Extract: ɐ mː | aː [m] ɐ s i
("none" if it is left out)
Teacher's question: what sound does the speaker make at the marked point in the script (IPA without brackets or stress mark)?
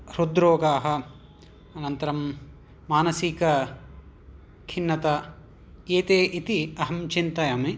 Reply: n